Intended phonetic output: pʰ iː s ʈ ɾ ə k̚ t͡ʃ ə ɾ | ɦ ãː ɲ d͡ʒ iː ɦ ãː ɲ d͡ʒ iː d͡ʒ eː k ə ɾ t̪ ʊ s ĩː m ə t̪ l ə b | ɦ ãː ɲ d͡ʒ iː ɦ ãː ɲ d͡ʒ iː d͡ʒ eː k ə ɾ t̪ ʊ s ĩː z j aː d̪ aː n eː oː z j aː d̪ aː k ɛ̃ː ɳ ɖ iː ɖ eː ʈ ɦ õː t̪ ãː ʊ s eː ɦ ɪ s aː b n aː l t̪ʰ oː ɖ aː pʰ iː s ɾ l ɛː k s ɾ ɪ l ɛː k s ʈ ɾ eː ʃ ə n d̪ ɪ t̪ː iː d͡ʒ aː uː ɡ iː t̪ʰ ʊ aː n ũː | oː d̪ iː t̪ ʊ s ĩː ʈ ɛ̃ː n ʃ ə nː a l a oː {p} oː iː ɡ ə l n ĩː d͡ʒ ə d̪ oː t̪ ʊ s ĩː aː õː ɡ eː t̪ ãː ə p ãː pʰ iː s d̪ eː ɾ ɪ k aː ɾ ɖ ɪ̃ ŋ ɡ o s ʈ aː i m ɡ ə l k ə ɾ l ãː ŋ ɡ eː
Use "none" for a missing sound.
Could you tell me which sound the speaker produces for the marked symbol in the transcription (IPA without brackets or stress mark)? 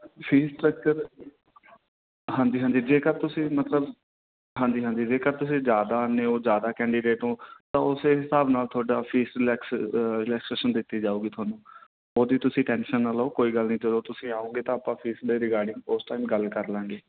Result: k